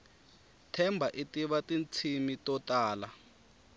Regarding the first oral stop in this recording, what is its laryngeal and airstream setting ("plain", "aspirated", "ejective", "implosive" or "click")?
aspirated